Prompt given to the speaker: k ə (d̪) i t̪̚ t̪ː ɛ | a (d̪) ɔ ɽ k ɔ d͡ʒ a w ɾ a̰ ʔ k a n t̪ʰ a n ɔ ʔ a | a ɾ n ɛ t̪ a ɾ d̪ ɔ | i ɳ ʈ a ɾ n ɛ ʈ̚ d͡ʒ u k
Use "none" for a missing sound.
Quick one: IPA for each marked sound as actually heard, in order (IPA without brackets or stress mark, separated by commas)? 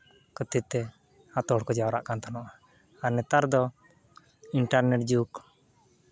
t̪, t̪